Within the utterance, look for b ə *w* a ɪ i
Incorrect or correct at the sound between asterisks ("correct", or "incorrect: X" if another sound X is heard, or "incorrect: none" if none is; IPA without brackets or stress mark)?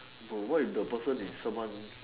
correct